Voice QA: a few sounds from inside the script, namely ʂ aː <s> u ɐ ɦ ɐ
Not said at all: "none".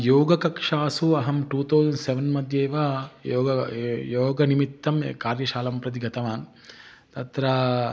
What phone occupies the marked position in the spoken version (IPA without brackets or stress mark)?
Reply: s